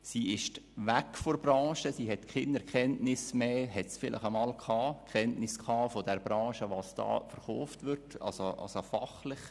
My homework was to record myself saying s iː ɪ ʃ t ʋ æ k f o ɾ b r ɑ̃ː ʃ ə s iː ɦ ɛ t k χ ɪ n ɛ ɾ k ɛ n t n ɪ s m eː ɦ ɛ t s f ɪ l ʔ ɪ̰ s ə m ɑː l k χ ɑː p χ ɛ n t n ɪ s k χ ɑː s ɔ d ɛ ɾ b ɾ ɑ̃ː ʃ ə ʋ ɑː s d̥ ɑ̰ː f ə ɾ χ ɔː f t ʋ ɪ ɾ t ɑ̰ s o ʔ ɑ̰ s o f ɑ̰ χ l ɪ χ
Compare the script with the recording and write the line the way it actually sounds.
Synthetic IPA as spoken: s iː ɪ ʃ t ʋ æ k f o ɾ b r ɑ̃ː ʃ ə s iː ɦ ɛ t k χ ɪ n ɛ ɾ k ɛ n t n ɪ s m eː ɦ ɛ t s f ɪ l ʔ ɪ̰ χ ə m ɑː l k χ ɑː k χ ɛ n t n ɪ s k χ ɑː f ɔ d ɛ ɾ b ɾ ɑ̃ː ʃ ə ʋ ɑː s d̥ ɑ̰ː f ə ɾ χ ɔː f t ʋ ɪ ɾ t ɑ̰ s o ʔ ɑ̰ s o f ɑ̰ χ l ɪ χ